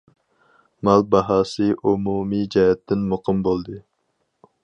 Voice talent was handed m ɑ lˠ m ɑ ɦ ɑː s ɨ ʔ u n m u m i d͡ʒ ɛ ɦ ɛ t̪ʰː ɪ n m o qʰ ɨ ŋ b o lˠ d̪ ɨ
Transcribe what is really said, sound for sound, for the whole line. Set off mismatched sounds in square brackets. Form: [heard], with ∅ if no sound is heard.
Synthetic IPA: m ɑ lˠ [b] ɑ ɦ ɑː s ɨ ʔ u [∅] m u m i d͡ʒ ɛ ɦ ɛ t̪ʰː ɪ n m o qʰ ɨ [m] b o lˠ d̪ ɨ